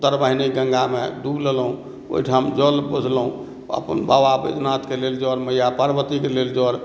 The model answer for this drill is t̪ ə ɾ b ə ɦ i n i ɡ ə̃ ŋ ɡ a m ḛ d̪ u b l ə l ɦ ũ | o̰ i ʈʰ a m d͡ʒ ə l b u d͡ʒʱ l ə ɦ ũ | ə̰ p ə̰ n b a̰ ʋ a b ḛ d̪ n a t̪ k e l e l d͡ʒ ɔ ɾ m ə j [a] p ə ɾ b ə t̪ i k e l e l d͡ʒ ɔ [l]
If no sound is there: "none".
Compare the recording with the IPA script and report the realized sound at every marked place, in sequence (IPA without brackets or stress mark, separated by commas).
a, ɾ